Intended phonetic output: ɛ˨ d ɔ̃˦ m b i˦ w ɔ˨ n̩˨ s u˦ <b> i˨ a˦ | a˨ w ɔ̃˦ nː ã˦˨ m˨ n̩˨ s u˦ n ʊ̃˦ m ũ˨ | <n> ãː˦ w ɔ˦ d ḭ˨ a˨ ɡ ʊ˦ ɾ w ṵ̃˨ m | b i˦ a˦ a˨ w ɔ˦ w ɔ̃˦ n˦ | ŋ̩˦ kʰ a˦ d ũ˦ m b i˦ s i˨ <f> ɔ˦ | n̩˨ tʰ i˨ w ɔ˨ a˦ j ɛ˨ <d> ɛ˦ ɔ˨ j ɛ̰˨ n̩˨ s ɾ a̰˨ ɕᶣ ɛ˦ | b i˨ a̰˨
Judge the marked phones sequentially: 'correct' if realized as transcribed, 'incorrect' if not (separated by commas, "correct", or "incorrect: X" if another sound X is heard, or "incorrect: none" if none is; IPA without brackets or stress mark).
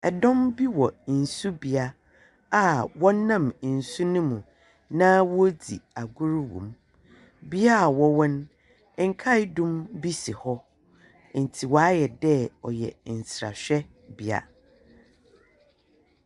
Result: correct, correct, incorrect: h, correct